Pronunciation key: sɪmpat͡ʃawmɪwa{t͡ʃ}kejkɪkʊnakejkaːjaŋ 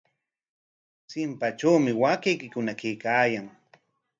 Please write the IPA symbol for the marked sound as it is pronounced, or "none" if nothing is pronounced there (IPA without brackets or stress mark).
none